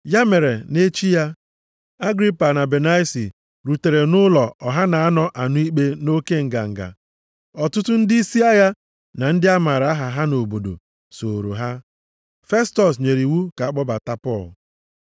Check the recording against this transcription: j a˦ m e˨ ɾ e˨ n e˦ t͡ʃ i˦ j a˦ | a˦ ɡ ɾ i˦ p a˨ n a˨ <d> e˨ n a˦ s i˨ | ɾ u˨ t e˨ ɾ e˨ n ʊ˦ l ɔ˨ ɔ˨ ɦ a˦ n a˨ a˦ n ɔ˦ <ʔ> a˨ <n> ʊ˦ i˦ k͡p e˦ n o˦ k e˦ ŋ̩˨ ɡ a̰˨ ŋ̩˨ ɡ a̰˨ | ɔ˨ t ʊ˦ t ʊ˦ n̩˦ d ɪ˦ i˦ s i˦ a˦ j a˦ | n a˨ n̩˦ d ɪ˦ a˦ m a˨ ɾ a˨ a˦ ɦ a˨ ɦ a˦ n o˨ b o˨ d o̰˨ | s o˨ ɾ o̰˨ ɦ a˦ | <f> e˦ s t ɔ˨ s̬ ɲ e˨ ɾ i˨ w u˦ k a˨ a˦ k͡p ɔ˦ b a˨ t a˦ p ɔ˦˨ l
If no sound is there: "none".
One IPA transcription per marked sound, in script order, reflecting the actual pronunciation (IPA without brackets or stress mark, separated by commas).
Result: b, ʔ, n, f